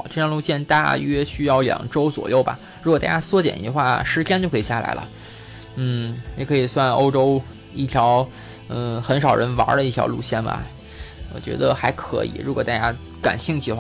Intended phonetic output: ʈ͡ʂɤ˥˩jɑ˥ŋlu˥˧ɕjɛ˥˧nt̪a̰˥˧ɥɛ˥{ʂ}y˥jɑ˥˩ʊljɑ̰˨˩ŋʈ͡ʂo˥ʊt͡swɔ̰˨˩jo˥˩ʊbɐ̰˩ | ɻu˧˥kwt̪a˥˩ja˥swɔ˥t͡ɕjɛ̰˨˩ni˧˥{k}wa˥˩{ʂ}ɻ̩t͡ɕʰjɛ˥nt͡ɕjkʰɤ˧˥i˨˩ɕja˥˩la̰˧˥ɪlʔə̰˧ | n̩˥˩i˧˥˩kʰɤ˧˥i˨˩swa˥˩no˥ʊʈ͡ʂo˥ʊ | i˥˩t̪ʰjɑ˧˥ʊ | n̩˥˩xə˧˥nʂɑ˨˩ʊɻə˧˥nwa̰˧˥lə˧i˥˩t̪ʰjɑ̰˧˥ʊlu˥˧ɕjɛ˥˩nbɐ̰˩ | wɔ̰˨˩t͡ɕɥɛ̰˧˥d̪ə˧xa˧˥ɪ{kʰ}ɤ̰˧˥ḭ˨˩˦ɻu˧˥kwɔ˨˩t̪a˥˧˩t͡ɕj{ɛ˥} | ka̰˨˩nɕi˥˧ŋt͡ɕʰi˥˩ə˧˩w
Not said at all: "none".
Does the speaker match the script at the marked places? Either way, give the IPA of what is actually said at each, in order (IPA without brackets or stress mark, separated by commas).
ɕ, x, ʂ, kʰ, a˥